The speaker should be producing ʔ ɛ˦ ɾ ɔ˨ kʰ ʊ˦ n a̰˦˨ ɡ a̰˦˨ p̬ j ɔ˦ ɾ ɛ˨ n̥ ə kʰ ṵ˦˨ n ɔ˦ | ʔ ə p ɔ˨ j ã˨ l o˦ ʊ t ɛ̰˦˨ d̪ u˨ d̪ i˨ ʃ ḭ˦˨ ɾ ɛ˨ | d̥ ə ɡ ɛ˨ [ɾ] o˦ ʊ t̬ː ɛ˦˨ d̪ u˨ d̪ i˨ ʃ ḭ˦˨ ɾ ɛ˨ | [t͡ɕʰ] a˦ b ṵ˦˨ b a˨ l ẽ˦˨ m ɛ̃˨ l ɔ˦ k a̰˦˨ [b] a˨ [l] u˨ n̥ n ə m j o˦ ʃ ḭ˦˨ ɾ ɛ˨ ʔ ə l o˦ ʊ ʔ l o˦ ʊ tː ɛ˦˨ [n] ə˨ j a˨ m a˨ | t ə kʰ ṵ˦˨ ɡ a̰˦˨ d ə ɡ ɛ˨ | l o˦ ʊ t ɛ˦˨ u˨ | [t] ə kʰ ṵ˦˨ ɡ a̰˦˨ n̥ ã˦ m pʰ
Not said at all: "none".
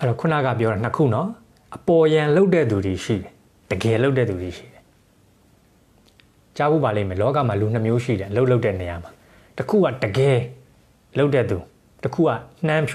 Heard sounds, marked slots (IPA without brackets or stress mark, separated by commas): l, t͡ɕ, m, l, n, t